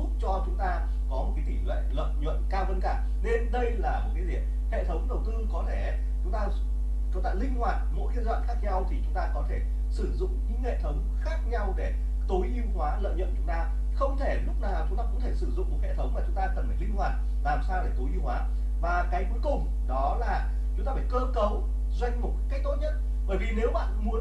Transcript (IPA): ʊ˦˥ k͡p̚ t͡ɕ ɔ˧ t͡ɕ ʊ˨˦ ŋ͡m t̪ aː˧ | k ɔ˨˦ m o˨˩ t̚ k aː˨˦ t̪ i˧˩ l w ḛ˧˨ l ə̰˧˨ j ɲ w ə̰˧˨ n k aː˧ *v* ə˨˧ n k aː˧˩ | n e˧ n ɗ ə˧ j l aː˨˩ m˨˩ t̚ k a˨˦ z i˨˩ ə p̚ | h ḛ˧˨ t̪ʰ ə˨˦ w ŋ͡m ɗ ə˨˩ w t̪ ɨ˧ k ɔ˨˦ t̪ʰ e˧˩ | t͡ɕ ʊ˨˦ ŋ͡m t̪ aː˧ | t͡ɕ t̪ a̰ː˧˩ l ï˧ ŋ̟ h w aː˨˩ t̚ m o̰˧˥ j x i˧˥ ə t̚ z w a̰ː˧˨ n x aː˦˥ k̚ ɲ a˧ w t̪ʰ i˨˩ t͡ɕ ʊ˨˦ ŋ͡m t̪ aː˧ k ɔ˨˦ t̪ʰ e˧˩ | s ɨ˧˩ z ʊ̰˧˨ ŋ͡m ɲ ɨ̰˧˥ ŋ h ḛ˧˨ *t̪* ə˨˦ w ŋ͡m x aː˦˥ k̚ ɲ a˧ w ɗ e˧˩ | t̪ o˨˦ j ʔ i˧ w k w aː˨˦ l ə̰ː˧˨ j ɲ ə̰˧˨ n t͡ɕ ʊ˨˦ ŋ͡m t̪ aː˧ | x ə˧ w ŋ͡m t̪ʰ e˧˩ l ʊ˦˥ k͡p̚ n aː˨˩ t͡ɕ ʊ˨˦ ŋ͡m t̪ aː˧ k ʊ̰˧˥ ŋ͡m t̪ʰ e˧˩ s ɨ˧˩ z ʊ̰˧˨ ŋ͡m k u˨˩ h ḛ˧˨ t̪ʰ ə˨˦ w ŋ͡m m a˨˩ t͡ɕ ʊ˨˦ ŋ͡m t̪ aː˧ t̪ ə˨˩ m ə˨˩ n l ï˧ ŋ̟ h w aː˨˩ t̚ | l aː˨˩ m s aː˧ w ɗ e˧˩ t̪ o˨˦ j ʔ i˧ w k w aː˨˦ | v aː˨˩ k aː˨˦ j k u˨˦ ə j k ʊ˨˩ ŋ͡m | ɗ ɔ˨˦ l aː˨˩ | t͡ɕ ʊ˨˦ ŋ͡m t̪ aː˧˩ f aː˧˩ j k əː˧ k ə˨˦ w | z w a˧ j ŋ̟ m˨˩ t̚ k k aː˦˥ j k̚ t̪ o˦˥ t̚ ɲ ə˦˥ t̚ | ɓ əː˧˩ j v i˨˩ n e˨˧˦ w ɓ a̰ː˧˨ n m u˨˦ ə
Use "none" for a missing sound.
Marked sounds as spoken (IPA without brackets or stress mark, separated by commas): v, t̪ʰ